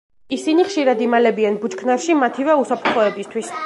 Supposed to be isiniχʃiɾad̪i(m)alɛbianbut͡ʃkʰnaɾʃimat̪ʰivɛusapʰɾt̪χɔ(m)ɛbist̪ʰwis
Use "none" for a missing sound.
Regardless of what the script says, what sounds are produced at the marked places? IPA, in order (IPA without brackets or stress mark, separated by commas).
m, none